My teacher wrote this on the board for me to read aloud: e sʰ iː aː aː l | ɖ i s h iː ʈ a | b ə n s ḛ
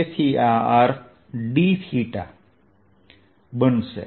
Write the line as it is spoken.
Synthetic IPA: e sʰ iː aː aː ɾ | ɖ i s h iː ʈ a | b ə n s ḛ